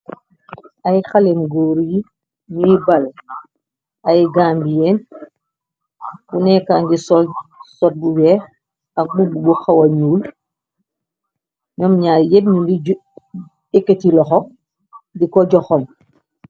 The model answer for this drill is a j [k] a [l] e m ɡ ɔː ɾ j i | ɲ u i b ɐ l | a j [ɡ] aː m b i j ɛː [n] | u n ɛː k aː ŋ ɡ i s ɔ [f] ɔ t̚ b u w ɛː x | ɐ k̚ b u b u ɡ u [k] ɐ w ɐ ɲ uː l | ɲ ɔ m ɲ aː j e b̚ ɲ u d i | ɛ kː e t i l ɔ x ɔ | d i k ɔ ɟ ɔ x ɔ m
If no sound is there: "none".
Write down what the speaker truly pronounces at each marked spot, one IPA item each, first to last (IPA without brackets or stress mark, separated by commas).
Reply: x, l, ɡ, n, s, x